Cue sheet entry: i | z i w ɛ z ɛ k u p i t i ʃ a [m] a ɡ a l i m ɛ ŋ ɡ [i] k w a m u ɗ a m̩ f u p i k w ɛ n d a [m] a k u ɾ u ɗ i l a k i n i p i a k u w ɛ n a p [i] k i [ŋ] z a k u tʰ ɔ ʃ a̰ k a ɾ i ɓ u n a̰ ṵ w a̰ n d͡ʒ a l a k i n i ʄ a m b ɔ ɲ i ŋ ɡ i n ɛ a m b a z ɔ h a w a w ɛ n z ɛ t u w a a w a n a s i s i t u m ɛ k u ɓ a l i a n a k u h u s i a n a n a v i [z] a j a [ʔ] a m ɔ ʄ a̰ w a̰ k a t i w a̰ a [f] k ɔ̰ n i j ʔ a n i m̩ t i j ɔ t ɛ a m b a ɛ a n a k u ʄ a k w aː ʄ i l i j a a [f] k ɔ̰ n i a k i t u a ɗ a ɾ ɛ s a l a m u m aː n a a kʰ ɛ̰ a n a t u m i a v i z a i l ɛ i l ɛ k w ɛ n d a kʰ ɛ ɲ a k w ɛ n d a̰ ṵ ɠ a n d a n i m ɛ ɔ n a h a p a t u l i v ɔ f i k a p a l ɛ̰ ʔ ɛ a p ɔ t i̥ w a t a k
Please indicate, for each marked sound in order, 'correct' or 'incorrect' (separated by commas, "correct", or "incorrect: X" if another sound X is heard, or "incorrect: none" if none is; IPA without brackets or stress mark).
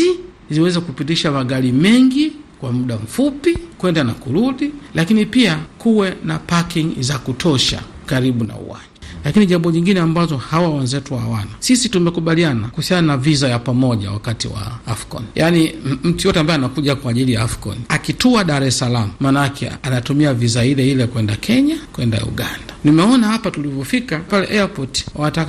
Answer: correct, correct, incorrect: n, incorrect: a, correct, correct, incorrect: p, correct, correct